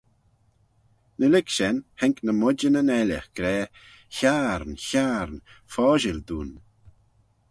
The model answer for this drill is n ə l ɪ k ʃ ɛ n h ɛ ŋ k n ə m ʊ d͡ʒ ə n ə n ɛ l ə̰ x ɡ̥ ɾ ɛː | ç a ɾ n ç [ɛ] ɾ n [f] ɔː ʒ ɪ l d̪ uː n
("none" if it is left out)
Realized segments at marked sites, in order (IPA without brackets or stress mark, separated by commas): a, f